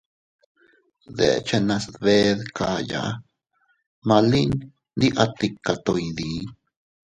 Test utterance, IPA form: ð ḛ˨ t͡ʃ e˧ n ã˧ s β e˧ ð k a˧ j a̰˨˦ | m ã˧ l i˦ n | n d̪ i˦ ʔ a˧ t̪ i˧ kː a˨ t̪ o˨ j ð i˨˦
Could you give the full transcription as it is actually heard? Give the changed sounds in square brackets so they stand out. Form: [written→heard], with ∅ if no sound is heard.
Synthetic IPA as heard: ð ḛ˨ t͡ʃ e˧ n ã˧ s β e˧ ð k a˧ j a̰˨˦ | m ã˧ l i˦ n | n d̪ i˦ ʔ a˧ t̪ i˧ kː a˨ t̪ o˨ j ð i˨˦